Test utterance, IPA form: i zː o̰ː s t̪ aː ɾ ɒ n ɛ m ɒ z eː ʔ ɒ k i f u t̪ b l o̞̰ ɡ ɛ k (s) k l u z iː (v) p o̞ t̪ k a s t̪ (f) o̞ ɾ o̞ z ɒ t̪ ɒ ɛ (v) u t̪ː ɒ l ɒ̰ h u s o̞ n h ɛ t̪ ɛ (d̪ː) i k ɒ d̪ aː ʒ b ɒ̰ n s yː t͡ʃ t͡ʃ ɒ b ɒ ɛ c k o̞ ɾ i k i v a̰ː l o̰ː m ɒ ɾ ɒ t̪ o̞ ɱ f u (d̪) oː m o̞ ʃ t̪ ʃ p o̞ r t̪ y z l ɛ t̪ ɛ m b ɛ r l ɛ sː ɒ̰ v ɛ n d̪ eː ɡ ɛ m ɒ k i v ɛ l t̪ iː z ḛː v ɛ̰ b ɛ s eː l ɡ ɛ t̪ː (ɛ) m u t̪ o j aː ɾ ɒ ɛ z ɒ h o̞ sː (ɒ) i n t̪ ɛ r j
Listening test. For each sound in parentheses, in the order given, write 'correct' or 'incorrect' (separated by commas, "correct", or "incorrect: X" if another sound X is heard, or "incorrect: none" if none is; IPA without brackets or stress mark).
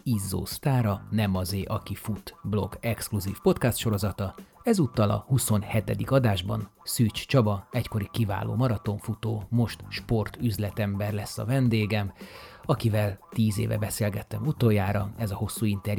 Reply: correct, incorrect: f, incorrect: ʃ, incorrect: z, incorrect: d̪, incorrect: t̪, correct, incorrect: u